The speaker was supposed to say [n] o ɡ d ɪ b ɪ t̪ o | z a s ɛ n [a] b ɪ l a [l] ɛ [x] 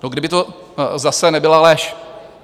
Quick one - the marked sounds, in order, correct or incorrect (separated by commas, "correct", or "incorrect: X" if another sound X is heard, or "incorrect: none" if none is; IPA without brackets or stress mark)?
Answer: correct, incorrect: ɛ, correct, incorrect: ʃ